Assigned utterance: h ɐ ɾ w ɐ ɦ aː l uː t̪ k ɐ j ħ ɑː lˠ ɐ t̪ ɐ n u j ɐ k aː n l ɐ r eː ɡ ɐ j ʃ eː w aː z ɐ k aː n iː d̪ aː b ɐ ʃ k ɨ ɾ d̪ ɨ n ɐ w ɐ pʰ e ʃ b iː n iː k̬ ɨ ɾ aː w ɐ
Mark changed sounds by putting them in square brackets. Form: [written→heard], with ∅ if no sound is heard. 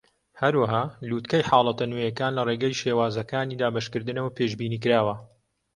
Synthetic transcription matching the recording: h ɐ ɾ w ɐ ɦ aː l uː t̪ k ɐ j ħ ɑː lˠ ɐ t̪ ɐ n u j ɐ k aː n l ɐ r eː ɡ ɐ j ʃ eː w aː z ɐ k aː n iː d̪ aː b ɐ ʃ k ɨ ɾ d̪ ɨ n ɐ w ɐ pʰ e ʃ b iː n iː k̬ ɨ ɾ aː w ɐ

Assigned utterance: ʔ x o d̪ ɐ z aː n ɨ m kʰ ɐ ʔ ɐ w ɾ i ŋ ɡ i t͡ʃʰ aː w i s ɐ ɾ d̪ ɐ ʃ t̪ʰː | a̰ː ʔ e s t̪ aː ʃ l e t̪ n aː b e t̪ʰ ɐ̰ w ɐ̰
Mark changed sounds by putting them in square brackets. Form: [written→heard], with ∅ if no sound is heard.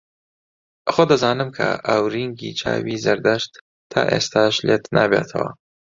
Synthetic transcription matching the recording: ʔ x o d̪ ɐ z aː n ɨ m kʰ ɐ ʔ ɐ w ɾ i ŋ ɡ i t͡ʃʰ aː w i [s→z] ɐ ɾ d̪ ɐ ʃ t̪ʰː | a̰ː ʔ e s t̪ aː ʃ l e t̪ n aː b e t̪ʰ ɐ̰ w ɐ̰

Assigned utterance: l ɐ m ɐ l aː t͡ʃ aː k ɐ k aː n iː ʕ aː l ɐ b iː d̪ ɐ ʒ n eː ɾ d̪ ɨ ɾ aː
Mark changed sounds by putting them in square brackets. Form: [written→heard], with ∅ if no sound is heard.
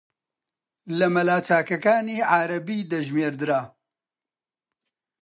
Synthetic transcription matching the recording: l ɐ m ɐ l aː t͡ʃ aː k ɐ k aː n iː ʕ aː [l→ɾ] ɐ b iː d̪ ɐ ʒ [n→m] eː ɾ d̪ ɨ ɾ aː

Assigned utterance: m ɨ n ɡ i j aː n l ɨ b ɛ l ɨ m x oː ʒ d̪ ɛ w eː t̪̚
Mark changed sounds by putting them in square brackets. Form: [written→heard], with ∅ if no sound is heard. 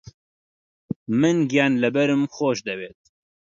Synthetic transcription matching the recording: m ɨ n ɡ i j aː n l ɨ b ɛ [l→ɾ] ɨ m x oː [ʒ→ʃ] d̪ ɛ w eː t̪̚

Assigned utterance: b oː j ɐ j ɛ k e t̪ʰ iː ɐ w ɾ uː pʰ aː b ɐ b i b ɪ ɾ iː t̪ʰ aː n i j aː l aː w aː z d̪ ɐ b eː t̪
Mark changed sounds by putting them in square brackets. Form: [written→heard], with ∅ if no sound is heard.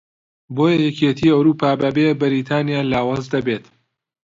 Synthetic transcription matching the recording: b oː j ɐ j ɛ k e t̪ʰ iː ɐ w ɾ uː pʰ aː b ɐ b [i→e] b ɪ ɾ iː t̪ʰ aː n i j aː l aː w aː z d̪ ɐ b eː t̪

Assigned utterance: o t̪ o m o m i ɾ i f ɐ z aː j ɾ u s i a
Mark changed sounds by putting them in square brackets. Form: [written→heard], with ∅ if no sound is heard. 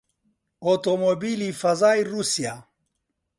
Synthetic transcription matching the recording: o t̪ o m o [m→b] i [ɾ→l] i f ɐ z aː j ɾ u s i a

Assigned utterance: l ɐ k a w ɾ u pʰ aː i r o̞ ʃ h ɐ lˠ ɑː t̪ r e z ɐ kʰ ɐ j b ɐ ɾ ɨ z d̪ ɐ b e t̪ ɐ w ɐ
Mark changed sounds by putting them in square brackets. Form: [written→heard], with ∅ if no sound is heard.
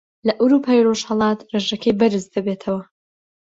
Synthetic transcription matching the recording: l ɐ [k→ʔ] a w ɾ u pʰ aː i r o̞ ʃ h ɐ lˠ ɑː t̪ r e [z→ʒ] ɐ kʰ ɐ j b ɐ ɾ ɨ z d̪ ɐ b e [t̪→t̪ʰ] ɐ w ɐ

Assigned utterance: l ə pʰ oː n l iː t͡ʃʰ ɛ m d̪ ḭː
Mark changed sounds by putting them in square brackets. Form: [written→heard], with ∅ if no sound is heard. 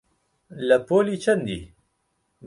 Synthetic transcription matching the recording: l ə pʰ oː [n→∅] l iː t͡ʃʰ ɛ [m→n] d̪ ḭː

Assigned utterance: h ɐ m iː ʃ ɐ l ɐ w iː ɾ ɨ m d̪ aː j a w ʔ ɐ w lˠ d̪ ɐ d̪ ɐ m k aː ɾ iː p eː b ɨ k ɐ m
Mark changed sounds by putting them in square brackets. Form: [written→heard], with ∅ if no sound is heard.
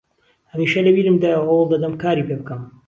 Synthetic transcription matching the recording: h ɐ m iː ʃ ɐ l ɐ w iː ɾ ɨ m d̪ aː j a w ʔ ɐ w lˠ d̪ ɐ d̪ ɐ m k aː ɾ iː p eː b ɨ k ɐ m

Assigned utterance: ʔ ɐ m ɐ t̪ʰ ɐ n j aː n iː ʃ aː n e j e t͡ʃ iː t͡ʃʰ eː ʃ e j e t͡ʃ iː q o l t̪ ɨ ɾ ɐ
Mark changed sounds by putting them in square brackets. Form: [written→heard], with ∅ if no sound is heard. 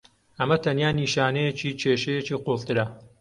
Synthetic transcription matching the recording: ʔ ɐ m ɐ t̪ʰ ɐ n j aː n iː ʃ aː n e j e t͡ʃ iː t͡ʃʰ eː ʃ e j e t͡ʃ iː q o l t̪ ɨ ɾ ɐ

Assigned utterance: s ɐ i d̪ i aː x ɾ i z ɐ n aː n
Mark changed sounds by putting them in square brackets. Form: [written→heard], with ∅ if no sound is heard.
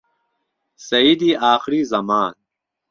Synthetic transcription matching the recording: s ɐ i d̪ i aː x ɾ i z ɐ [n→m] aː n

